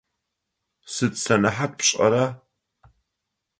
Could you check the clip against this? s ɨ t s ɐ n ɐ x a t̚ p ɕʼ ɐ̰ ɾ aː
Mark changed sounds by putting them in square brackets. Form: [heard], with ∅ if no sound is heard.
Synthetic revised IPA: s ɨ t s ɐ n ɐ [ħ] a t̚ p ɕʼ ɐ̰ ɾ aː